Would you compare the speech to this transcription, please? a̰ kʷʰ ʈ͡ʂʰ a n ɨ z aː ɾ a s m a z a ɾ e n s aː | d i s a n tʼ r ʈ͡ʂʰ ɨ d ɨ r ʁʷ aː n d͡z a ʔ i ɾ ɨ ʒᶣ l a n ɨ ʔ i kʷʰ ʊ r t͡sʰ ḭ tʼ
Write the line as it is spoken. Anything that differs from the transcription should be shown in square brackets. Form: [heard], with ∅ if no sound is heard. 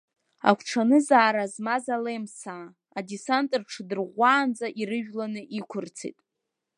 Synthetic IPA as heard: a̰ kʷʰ ʈ͡ʂʰ a n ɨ z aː ɾ a [z] m a z a [l] e [m] s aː | d i s a n tʼ r ʈ͡ʂʰ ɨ d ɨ r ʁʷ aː n d͡z a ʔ i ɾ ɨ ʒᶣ l a n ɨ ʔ i kʷʰ ʊ r t͡sʰ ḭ tʼ